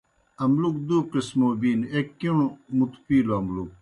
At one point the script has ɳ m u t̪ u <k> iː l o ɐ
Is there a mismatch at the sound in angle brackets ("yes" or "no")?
yes